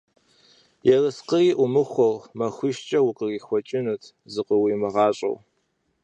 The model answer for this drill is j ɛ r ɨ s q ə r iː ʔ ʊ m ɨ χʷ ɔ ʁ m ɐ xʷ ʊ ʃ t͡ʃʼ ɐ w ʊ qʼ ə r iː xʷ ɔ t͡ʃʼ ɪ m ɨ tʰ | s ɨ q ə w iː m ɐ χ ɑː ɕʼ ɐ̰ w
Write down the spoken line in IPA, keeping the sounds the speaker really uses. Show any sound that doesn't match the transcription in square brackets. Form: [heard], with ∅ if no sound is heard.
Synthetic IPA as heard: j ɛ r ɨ s q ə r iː ʔ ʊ m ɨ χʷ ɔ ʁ m ɐ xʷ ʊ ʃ t͡ʃʼ ɐ w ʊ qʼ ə r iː xʷ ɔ t͡ʃʼ ɪ [n] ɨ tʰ | [z] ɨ q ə w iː m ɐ [ʁ] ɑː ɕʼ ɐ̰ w